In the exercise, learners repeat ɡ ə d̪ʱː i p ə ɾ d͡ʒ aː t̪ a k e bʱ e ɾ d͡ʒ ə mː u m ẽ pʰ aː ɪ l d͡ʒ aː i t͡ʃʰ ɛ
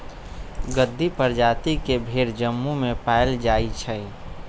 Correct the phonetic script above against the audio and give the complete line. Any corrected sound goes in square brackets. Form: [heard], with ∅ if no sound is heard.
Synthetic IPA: ɡ ə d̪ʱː i p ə ɾ d͡ʒ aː t̪ [i] k e bʱ e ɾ d͡ʒ ə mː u m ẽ [p] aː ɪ l d͡ʒ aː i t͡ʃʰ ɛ